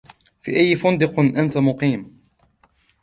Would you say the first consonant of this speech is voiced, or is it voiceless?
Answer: voiceless